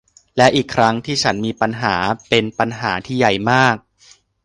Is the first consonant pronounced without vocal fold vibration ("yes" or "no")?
no